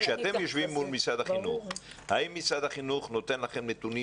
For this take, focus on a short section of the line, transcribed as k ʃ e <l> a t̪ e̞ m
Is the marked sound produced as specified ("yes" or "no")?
no